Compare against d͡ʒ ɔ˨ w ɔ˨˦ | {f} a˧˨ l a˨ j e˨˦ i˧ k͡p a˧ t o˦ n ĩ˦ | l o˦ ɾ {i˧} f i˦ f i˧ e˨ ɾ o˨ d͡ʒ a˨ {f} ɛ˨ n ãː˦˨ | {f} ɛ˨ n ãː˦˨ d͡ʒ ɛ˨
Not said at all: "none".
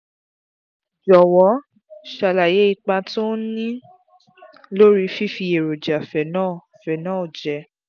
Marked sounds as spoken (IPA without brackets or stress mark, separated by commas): ʃ, i˧, f, f